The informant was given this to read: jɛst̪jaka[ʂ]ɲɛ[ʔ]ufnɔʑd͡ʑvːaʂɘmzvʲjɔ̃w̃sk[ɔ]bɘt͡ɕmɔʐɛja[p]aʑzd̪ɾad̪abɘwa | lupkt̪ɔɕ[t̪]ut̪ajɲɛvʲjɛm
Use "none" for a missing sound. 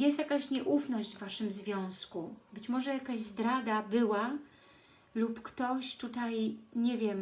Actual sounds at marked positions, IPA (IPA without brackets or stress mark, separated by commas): ɕ, ʔ, u, k, t̪